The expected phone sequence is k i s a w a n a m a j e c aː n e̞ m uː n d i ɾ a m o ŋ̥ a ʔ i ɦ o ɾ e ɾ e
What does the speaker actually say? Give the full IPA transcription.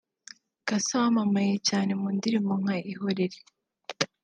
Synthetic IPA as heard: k a s a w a m a m a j e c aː n e̞ m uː n d i ɾ i m o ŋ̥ a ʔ i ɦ o ɾ e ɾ e